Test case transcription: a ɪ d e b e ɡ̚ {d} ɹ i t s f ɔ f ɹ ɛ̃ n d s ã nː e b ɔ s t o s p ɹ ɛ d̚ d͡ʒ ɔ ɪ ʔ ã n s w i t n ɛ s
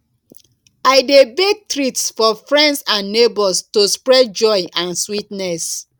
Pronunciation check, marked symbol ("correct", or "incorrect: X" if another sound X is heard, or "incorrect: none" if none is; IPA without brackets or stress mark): incorrect: t